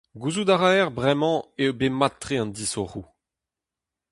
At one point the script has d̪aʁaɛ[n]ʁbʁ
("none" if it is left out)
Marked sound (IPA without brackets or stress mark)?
none